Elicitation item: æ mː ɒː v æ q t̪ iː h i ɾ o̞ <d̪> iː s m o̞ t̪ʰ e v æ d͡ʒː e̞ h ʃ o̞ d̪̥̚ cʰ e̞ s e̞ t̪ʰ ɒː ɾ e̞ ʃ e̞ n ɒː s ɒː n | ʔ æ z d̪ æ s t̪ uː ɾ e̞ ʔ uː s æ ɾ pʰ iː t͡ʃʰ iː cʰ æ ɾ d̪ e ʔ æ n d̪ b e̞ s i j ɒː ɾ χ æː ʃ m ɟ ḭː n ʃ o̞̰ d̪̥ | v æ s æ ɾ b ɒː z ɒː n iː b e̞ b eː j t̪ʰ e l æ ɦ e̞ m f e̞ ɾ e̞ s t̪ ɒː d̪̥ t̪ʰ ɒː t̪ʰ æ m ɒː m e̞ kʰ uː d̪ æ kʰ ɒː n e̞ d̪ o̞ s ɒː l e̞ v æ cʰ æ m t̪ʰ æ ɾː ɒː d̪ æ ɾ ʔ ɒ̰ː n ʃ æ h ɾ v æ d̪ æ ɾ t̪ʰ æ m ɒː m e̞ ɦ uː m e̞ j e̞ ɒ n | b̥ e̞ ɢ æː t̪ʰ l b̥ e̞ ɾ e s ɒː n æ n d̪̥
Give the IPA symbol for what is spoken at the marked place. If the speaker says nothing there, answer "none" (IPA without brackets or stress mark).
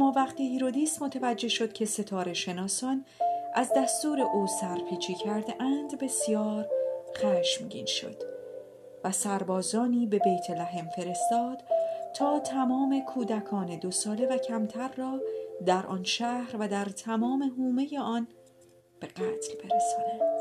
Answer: d̪